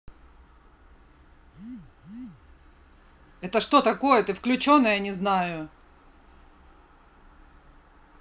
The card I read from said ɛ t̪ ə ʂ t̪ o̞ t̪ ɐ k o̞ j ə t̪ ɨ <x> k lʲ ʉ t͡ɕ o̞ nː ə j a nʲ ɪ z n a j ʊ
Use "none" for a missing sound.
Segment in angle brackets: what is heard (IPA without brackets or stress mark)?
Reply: f